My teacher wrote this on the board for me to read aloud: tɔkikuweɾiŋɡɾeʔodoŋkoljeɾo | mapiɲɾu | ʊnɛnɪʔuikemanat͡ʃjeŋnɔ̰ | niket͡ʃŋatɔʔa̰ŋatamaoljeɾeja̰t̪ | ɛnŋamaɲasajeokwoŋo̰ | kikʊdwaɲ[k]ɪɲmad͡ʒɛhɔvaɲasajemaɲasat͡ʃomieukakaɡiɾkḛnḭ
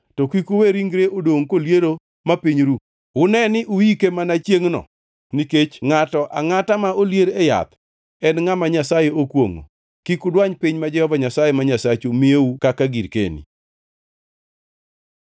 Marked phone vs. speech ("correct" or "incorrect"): incorrect